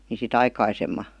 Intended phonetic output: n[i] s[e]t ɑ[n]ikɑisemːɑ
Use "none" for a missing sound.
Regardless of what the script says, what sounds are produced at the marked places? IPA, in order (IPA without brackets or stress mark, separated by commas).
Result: i, i, none